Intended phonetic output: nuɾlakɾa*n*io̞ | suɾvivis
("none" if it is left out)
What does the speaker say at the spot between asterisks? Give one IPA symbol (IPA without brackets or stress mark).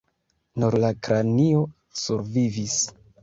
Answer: n